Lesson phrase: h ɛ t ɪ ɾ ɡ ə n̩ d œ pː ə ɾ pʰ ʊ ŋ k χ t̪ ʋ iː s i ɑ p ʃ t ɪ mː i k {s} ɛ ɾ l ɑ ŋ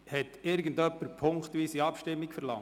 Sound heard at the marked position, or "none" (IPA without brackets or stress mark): f